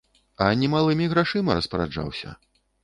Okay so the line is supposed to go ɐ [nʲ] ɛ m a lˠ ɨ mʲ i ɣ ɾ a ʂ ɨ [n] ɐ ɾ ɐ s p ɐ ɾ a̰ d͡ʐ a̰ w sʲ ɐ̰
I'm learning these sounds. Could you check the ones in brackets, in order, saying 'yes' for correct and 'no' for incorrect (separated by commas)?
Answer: yes, no